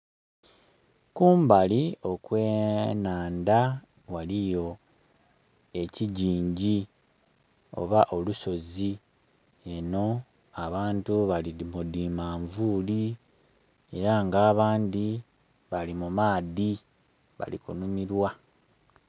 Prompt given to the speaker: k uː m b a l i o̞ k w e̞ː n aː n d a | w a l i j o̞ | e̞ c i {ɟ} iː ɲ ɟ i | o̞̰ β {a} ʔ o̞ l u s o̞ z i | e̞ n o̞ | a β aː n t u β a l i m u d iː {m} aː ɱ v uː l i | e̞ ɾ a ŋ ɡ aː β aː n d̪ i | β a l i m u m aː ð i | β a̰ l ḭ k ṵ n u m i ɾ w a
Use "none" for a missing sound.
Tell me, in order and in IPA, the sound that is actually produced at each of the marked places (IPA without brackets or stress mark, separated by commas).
ɟ, a, m